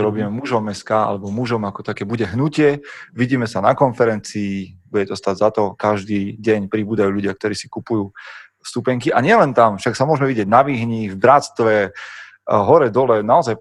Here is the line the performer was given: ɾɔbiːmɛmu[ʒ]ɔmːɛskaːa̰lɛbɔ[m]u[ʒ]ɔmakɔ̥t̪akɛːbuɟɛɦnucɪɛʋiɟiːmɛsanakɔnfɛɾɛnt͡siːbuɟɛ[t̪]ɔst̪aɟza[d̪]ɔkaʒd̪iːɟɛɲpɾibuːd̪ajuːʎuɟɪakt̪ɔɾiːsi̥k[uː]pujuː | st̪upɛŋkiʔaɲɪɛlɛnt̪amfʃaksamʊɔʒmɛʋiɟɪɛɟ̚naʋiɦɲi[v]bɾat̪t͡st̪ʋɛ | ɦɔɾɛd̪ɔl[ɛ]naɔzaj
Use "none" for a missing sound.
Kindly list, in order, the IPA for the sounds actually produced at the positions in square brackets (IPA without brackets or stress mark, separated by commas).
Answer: ʒ, m, ʒ, t̪, t̪, u, v, ɛ